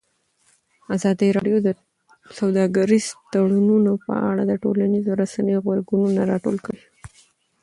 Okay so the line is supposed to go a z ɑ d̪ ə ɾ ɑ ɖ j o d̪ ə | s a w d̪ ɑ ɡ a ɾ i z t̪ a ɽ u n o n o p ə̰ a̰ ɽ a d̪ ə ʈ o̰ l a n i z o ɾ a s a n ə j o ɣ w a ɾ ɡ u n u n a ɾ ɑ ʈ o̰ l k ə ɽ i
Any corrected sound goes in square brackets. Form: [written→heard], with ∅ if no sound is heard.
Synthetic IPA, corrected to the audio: a z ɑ d̪ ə ɾ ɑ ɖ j o d̪ ə | s a w d̪ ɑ ɡ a ɾ i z t̪ a ɽ u n [o→u] n o p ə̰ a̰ ɽ a d̪ ə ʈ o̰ l a n i z o ɾ a s a n ə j o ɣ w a ɾ ɡ u n u n a ɾ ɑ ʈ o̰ l k ə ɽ i